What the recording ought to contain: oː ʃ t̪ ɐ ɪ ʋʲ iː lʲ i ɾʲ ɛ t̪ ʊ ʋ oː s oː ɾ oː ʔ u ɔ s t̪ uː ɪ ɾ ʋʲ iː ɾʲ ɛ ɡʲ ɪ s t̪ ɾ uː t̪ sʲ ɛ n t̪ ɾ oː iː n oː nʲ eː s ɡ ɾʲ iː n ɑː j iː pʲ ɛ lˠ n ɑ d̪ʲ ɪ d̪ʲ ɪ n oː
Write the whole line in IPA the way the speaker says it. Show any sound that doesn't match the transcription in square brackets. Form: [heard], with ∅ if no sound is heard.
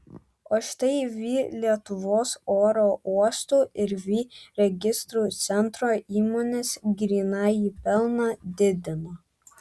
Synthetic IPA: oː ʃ t̪ ɐ ɪ ʋʲ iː lʲ i [∅] ɛ t̪ ʊ ʋ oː s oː ɾ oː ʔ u ɔ s t̪ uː ɪ ɾ ʋʲ iː ɾʲ ɛ ɡʲ ɪ s t̪ ɾ uː t̪ sʲ ɛ n t̪ ɾ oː iː [m] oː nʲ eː s ɡ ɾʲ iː n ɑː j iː pʲ ɛ lˠ n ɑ d̪ʲ ɪ d̪ʲ ɪ n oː